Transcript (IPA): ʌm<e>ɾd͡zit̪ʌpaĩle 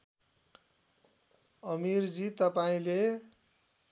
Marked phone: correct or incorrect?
incorrect